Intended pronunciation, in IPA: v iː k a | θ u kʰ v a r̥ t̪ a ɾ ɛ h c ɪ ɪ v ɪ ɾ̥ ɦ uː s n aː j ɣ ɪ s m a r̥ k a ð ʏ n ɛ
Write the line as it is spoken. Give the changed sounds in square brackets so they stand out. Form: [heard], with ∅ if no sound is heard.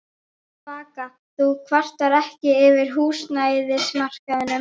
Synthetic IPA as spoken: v [aː] k a | θ u kʰ v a r̥ t̪ a ɾ ɛ h c ɪ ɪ v ɪ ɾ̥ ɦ uː s n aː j [ð] ɪ s m a r̥ k a ð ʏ n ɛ